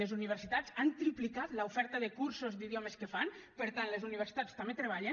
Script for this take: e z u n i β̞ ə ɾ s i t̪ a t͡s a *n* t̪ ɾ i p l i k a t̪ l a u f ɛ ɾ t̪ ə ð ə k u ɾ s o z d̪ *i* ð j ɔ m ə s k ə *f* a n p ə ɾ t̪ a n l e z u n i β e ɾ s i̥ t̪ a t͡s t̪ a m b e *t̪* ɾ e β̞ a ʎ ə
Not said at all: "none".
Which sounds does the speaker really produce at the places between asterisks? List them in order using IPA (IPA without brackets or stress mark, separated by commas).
n, i, f, t̪